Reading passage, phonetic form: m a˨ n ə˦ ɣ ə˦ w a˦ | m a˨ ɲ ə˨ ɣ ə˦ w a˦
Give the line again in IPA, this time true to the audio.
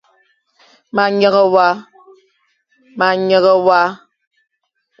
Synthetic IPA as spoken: m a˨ ɲ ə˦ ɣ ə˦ w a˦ | m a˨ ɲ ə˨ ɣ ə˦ w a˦